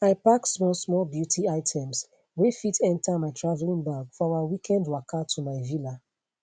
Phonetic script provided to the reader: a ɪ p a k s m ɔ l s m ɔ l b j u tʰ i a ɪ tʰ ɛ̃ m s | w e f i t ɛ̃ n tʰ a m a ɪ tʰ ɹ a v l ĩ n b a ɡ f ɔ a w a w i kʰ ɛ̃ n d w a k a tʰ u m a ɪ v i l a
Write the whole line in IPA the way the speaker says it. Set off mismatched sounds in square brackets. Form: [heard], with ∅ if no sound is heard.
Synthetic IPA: a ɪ p a k s m ɔ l s m ɔ l b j u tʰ i a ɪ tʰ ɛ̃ m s | w e f i t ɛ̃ n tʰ a m a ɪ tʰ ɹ a v l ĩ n b a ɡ f ɔ a w a w i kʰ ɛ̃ n d w a k a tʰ u m a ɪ v i l a